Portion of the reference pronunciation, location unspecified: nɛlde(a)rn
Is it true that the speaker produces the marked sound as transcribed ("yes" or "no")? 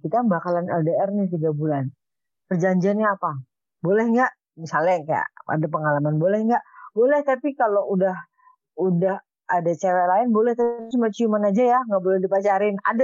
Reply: no